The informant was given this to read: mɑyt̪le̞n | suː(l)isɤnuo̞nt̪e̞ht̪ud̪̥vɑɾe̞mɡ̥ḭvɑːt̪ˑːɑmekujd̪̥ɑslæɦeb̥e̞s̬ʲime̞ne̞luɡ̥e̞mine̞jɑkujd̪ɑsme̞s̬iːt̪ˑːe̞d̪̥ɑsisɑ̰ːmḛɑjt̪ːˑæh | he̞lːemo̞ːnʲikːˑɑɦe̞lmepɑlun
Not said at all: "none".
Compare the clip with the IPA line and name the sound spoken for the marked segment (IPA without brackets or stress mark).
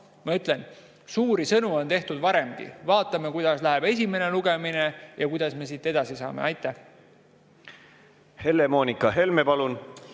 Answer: ɾ